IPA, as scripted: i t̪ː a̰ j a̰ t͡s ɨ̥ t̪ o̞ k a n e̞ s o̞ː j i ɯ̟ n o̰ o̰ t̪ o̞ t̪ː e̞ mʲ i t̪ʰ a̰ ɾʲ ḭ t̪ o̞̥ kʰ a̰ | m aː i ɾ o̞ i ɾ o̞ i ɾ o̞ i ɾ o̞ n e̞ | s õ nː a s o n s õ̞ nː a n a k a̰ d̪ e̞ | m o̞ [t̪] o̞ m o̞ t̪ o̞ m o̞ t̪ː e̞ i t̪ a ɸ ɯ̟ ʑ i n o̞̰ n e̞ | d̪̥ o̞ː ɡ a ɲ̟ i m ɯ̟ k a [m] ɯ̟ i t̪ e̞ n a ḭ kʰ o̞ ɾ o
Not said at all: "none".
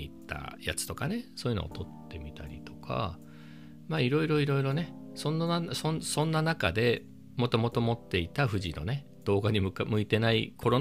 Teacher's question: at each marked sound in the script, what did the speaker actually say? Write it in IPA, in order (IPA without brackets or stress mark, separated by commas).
t̪, m